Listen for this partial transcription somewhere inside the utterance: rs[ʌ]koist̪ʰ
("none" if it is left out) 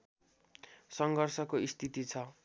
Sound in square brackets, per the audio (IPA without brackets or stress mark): ʌ